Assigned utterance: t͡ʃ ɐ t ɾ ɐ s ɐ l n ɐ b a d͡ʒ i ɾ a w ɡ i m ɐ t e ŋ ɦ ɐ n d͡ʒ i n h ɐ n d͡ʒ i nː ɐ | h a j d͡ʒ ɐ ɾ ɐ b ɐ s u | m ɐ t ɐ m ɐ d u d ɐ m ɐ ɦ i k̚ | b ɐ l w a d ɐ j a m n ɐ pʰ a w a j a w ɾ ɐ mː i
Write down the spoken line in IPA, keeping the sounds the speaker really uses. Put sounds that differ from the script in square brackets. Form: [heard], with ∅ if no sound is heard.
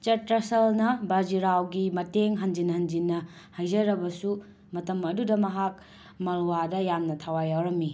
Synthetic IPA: t͡ʃ ɐ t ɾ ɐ s ɐ l n ɐ b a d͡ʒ i ɾ a w ɡ i m ɐ t e ŋ ɦ ɐ n d͡ʒ i n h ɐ n d͡ʒ i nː ɐ | h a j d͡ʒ ɐ ɾ ɐ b ɐ s u | m ɐ t ɐ m ɐ d u d ɐ m ɐ ɦ [a] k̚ | [m] ɐ l w a d ɐ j a m n ɐ [tʰ] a w a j a w ɾ ɐ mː i

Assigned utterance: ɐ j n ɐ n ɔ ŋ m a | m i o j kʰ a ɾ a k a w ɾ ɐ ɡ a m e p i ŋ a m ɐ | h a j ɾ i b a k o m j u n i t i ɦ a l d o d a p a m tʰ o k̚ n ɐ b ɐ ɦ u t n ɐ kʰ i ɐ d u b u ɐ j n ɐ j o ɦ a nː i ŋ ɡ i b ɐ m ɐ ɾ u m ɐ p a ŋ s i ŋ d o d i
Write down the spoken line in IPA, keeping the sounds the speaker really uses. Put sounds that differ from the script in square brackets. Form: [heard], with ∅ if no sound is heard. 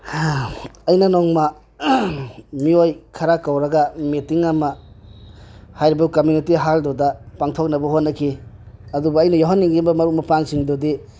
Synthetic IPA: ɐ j n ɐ n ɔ ŋ m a | m i o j kʰ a ɾ a k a w ɾ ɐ ɡ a m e [t] i ŋ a m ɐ | h a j ɾ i b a k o m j u n i t i ɦ a l d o d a p a [ŋ] tʰ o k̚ n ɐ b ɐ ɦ [o] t n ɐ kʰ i ɐ d u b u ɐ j n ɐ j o ɦ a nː i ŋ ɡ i b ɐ m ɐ ɾ u m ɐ p a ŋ s i ŋ d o d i

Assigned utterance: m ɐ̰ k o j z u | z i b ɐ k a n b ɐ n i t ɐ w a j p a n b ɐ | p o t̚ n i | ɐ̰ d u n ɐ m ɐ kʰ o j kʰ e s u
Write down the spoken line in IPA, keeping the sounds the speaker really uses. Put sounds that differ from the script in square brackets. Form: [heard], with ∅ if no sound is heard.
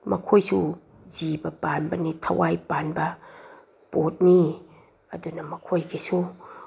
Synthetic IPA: m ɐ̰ [kʰ] o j [s] u | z i b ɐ [p] a n b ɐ n i [tʰ] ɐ w a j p a n b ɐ | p o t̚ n i | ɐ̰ d u n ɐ m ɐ kʰ o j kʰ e s u

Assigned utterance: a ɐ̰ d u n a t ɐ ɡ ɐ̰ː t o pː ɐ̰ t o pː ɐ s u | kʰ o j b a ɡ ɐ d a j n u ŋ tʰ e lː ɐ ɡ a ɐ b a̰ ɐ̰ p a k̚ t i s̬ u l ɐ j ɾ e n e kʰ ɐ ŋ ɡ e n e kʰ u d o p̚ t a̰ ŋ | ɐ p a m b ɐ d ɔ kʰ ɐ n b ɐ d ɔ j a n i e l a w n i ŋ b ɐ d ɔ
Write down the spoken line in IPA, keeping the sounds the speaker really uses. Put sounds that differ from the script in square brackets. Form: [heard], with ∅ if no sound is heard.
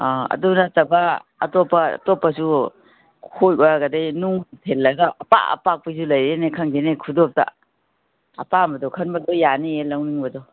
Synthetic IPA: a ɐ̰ d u n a t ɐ [b] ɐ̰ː t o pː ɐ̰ t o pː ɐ s u | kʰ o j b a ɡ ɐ d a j n u ŋ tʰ e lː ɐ ɡ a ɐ [p] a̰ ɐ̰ p a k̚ [p] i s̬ u l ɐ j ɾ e n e kʰ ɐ ŋ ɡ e n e kʰ u d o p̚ t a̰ [∅] | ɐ p a m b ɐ d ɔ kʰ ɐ n b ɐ d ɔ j a n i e l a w n i ŋ b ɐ d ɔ

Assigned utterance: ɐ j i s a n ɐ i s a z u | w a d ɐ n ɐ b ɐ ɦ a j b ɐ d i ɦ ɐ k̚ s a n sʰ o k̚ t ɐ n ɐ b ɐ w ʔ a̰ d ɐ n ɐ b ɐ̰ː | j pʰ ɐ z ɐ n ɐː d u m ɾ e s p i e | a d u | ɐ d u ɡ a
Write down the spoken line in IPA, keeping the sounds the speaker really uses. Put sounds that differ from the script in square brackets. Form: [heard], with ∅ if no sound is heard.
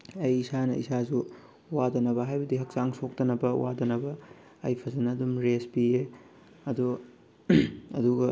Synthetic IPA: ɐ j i s a n ɐ i s a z u | w a d ɐ n ɐ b ɐ ɦ a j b ɐ d i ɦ ɐ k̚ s a [ŋ] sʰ o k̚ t ɐ n ɐ b ɐ w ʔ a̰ d ɐ n ɐ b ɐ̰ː | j pʰ ɐ z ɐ n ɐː d u m ɾ e s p i e | [ɐ] d u | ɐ d u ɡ [ɐ]

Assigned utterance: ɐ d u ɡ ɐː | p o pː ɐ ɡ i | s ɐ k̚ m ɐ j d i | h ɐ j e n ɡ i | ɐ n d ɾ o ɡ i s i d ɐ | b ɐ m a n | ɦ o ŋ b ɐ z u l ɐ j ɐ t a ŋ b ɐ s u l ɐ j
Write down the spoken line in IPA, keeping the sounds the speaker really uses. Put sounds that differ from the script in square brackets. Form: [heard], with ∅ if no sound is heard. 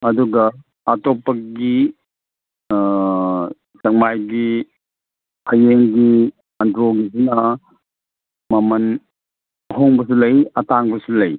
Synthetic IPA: ɐ d u ɡ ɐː | [t] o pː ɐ ɡ i | s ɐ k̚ m [a] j [ɡ] i | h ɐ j e [ŋ] ɡ i | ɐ n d ɾ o ɡ i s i [n] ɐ | [m] ɐ m [ɐ] n | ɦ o ŋ b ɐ [s] u l ɐ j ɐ t a ŋ b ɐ s u l ɐ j

